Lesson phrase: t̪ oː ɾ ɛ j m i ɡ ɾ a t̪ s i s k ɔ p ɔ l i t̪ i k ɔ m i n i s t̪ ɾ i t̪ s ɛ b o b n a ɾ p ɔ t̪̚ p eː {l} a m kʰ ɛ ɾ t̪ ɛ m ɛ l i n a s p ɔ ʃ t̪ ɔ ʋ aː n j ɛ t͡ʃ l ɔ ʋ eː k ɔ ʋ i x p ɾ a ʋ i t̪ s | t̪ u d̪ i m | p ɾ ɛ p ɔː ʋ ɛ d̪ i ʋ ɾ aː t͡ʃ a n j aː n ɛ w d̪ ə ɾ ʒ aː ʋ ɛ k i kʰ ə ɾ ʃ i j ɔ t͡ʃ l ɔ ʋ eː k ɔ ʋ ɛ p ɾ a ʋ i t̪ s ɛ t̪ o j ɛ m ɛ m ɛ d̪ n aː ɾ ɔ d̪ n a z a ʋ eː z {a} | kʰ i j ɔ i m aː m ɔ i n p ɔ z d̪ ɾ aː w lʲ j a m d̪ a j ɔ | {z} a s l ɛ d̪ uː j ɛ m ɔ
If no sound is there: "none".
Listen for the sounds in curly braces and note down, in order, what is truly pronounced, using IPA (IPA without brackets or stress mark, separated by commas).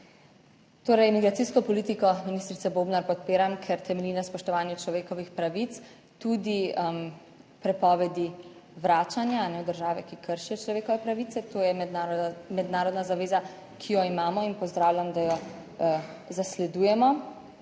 ɾ, a, z